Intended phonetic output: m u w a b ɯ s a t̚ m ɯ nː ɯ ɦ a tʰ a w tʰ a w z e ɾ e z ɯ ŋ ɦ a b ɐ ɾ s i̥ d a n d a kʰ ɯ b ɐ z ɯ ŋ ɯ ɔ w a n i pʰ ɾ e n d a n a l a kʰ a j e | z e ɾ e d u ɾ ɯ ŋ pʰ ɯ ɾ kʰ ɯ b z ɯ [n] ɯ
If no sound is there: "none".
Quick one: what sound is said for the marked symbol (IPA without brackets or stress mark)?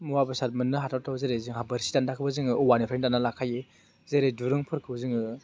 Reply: ŋ